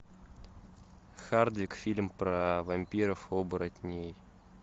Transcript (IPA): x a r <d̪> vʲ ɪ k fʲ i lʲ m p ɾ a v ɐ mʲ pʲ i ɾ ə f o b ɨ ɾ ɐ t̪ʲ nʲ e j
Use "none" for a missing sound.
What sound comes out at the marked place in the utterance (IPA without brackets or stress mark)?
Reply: d̪